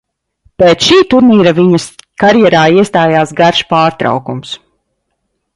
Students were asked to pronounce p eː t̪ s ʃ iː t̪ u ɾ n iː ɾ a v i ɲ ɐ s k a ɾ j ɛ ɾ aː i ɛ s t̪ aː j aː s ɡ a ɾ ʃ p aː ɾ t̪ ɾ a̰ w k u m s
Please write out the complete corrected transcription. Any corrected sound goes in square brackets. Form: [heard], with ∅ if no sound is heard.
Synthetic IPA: p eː t̪ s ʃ iː t̪ u ɾ n iː ɾ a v i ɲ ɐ s k a ɾ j ɛ ɾ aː i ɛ s t̪ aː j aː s ɡ a ɾ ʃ p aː ɾ t̪ ɾ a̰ w k u m s